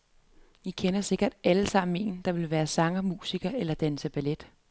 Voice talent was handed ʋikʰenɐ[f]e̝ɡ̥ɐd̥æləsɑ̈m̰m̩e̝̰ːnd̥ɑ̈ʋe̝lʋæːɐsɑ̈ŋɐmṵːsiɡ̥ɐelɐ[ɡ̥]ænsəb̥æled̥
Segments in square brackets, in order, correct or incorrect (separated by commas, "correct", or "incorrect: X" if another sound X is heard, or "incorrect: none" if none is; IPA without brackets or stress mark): incorrect: s, incorrect: d̥